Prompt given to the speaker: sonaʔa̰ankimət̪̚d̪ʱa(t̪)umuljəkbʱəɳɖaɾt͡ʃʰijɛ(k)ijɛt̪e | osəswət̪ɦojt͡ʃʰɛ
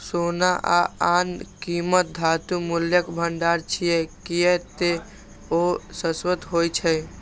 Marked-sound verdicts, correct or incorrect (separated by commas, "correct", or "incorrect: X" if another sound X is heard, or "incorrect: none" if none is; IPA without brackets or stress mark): correct, correct